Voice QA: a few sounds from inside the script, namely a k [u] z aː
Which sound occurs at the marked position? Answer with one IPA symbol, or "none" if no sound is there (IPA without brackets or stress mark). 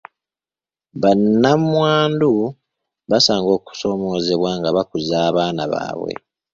u